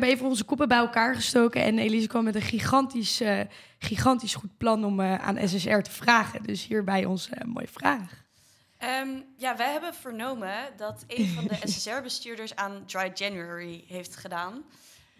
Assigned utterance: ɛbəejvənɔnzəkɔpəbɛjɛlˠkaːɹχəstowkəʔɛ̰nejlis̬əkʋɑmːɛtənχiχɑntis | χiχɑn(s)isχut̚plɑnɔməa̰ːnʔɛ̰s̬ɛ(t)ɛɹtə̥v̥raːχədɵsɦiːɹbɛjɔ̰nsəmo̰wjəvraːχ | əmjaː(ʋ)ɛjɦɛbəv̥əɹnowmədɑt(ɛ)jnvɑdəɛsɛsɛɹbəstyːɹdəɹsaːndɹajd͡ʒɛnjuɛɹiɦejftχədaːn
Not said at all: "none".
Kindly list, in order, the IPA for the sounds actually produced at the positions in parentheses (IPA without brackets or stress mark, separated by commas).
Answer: t, s, ʋ, e